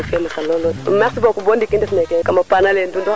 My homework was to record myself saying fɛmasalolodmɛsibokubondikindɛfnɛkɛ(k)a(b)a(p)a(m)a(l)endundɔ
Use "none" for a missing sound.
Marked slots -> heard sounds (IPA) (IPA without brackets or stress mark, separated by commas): k, m, p, n, l